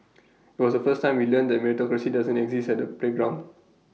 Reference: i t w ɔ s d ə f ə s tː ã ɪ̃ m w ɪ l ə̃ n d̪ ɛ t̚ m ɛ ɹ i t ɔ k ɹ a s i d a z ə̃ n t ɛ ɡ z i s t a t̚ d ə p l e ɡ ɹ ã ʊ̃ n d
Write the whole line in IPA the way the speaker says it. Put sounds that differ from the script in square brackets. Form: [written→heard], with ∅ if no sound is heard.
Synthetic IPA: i t w ɔ s d ə f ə s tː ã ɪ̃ m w [ɪ→i] l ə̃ n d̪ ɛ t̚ m ɛ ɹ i t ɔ k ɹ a s i d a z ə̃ n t ɛ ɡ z i s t [a→ɛ] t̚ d ə p l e ɡ ɹ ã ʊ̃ n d

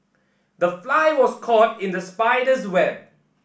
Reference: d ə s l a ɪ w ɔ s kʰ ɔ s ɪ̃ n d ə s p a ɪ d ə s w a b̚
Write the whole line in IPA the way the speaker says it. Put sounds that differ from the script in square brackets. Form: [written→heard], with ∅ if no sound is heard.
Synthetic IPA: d ə [s→f] l a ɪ w ɔ s kʰ ɔ [s→t] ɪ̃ n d ə s p a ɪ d ə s w [a→ɛ] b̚

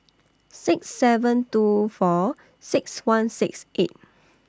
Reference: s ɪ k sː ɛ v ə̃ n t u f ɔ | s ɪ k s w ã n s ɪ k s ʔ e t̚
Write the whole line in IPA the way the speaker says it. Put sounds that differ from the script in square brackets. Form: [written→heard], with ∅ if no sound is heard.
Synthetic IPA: s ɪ k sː ɛ v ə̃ n t u f ɔ | s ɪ k s w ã n s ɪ k s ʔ e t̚

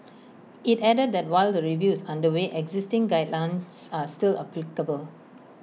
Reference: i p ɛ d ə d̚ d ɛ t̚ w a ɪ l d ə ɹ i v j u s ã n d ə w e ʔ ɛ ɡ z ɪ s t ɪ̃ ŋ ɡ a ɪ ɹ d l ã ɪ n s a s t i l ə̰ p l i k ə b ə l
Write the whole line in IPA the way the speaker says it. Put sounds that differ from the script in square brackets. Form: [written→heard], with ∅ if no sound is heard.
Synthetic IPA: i [p→t] ɛ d ə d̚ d ɛ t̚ w a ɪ l d ə ɹ i v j u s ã n d ə w e ʔ ɛ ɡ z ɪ s t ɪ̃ ŋ ɡ a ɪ [ɹ→∅] d l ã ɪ n s a s t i l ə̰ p l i k ə b ə l

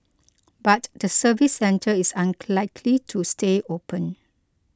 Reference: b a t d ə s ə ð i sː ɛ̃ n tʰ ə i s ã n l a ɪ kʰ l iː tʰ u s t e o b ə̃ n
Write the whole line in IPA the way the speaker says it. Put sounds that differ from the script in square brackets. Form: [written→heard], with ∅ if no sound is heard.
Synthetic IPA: b a t d ə s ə [ð→v] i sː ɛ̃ n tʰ ə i s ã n l a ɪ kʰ l [iː→i] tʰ u s t e o [b→p] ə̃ n

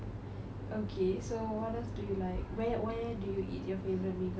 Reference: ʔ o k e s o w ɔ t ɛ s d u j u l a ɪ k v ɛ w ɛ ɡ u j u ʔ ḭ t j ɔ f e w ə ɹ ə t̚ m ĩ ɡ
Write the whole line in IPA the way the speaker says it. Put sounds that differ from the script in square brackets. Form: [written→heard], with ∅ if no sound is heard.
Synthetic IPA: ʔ o [k→kʰ] e s o w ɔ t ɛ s d u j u l a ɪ k [v→w] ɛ w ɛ [ɡ→d] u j u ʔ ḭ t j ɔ f e [w→v] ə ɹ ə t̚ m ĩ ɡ

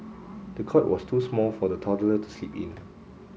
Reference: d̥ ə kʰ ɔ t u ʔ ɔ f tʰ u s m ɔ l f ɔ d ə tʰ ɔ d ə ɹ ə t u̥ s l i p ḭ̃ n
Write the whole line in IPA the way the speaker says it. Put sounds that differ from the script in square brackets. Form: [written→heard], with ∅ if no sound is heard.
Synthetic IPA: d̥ ə kʰ ɔ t [u→w] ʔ ɔ [f→s] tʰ u s m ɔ l f ɔ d ə tʰ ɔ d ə [ɹ→l] ə t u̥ s l i p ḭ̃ n

